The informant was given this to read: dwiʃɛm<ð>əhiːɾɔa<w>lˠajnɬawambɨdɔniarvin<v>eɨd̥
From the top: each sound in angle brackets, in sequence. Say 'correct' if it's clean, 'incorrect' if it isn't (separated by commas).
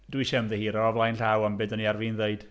correct, incorrect, incorrect